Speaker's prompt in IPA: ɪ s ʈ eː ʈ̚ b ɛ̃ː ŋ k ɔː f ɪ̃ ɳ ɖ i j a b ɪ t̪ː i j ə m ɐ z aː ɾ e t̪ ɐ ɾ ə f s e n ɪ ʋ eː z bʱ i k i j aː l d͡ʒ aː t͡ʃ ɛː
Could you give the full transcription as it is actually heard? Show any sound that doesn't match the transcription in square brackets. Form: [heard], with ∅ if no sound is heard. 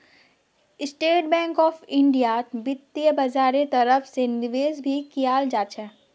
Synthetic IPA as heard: ɪ s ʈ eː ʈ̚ b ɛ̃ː ŋ k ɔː f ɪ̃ ɳ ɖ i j a b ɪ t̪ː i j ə [b] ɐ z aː ɾ e t̪ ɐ ɾ ə f s e n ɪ ʋ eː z bʱ i k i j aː l d͡ʒ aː t͡ʃ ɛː